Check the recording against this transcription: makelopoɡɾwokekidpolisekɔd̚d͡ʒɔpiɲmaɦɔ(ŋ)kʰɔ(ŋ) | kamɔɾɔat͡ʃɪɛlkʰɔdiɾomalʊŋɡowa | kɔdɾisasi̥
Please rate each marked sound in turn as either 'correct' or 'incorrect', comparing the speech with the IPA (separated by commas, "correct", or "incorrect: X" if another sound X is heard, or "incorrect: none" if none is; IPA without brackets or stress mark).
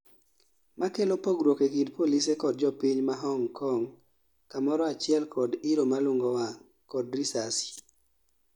correct, correct